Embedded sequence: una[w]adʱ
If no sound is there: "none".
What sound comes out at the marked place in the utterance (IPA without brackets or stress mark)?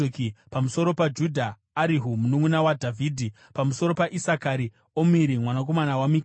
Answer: w